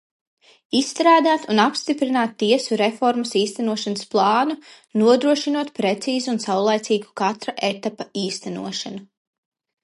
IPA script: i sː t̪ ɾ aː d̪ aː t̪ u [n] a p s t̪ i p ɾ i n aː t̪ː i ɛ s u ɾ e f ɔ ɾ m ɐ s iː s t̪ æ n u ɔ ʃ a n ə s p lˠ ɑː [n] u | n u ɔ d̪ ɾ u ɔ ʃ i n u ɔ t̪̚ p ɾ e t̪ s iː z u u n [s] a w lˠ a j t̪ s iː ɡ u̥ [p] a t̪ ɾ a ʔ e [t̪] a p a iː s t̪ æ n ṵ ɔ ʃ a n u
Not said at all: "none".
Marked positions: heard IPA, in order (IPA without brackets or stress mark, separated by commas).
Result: n, n, s, k, t̪